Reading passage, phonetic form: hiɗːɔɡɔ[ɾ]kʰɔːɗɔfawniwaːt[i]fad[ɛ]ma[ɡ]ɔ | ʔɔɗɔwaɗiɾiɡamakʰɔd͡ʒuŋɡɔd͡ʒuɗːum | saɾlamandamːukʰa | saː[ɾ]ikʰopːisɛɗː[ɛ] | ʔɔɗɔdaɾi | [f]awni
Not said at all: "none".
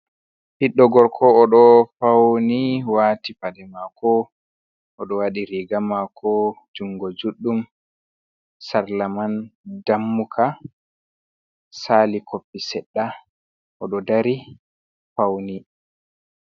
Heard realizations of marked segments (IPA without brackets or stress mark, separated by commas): ɾ, i, ɛ, k, l, a, f